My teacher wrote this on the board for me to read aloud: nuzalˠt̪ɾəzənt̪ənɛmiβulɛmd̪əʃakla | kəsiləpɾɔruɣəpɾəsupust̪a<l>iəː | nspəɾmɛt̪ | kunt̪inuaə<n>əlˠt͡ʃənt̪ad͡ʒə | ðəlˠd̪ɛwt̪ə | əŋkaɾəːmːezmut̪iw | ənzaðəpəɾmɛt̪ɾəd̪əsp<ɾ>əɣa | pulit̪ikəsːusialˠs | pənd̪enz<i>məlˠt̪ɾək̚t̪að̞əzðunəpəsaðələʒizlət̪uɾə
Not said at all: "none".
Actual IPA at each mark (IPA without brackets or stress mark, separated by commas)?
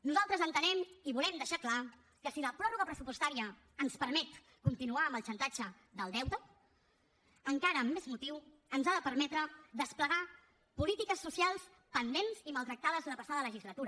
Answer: ɾ, m, l, i